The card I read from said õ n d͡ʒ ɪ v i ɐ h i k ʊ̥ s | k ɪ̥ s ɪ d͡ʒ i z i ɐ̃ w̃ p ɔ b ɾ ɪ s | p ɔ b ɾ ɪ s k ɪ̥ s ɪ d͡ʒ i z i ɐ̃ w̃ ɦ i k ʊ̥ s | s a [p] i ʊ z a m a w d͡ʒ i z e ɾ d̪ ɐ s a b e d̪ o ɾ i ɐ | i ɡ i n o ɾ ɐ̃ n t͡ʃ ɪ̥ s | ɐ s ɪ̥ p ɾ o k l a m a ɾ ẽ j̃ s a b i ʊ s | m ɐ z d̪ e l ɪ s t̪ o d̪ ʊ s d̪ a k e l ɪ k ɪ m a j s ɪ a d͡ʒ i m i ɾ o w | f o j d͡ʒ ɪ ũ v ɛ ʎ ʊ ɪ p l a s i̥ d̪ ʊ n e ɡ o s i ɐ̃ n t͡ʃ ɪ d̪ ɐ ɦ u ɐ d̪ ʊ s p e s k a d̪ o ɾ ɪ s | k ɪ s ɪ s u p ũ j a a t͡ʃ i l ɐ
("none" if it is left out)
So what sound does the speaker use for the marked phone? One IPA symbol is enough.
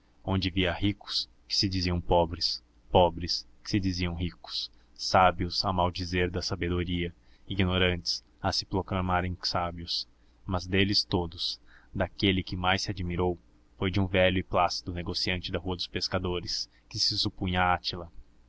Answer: b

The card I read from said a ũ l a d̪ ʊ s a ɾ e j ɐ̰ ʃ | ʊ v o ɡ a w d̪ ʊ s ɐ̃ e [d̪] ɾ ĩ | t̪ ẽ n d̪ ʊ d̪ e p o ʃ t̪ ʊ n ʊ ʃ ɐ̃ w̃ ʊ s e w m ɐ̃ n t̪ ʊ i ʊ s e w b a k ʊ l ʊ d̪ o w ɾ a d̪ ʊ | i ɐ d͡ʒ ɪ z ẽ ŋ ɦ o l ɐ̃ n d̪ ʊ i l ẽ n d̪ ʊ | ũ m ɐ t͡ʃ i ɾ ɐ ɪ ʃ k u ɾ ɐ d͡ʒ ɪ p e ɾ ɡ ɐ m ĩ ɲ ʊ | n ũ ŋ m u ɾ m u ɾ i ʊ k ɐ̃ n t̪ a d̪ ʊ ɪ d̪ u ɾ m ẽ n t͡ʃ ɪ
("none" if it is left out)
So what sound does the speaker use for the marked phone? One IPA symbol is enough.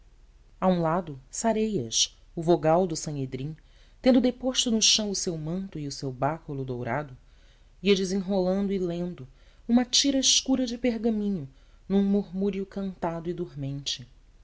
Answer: d̪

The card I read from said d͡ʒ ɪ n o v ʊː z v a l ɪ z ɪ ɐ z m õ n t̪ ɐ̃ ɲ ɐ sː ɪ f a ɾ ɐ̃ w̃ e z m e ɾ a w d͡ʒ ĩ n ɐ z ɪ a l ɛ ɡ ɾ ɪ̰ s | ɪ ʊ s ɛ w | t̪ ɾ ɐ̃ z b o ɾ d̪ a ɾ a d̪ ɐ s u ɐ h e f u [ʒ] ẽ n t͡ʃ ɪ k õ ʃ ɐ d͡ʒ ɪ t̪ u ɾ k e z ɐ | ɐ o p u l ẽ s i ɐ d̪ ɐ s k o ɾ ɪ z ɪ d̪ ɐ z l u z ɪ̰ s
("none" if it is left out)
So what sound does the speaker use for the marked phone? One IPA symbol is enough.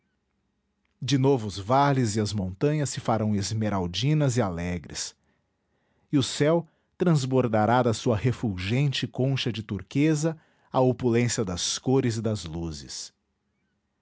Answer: ʒ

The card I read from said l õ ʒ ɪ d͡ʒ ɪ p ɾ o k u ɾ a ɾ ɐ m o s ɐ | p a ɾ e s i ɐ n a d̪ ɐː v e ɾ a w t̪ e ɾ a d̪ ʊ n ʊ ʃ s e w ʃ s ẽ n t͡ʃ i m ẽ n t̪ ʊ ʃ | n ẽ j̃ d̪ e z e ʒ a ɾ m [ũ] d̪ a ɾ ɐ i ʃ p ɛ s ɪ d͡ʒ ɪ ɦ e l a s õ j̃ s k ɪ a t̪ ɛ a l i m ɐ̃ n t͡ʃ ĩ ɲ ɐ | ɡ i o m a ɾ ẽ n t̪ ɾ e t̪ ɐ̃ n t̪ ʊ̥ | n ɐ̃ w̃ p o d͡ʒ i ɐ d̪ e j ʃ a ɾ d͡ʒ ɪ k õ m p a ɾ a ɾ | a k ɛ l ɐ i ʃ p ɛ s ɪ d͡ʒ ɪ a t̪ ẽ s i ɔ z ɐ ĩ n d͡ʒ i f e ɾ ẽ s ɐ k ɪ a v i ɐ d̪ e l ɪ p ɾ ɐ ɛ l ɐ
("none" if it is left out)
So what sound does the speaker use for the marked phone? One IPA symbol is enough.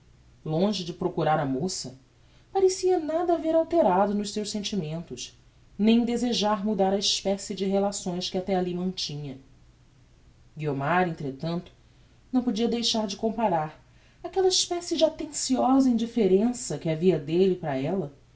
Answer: u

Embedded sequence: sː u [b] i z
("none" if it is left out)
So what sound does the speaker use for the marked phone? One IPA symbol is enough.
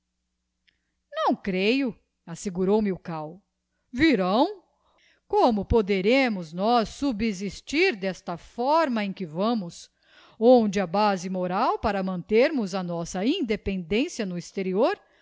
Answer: b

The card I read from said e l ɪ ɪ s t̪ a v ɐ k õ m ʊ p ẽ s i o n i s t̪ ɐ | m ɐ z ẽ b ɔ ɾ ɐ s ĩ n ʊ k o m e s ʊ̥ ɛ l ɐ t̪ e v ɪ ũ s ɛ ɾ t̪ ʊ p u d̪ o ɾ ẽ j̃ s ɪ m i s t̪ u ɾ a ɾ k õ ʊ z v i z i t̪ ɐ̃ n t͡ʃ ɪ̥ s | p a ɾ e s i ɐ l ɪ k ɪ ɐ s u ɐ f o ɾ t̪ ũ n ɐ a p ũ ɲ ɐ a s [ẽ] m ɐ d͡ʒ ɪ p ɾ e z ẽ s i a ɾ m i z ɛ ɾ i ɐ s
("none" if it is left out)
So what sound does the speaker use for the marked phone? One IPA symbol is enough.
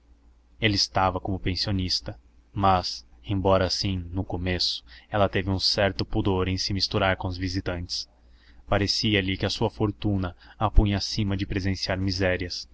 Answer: ĩ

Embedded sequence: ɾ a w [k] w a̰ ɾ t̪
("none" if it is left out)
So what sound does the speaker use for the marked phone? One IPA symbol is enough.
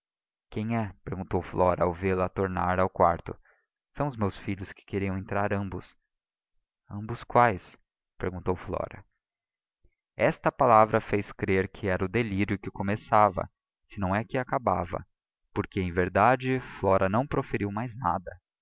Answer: k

